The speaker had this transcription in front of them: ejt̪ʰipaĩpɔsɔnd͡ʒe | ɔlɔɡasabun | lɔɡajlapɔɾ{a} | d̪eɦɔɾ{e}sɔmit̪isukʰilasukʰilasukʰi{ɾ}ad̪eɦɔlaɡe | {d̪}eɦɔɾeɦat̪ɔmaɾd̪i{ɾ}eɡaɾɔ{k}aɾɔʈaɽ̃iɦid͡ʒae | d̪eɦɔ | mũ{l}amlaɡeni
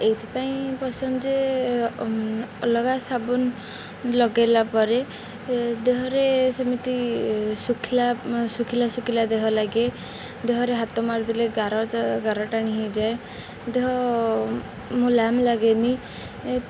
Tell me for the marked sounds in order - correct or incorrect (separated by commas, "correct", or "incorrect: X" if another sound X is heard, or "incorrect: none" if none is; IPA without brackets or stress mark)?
incorrect: e, correct, incorrect: l, correct, incorrect: l, incorrect: ɡ, correct